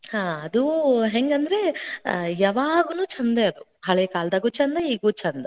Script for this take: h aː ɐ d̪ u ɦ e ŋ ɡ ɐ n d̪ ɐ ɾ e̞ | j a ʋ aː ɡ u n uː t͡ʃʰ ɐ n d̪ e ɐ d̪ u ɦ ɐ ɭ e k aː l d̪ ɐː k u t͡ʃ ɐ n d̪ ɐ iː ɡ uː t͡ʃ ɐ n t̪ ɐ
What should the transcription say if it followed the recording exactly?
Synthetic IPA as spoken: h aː ɐ d̪ u ɦ e ŋ ɡ ɐ n d̪ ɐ ɾ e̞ | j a ʋ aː ɡ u n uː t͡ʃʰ ɐ n d̪ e ɐ d̪ u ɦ ɐ ɭ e k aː l d̪ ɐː ɡ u t͡ʃ ɐ n d̪ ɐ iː ɡ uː t͡ʃ ɐ n d̪ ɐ